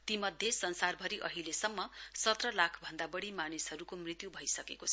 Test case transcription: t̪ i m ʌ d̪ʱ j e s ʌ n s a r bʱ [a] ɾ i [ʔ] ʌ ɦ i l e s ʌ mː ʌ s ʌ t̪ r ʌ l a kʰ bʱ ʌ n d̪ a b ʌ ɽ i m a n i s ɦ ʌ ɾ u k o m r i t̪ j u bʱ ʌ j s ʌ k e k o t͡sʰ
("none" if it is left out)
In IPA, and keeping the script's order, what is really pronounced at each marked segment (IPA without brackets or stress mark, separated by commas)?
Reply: ʌ, ʔ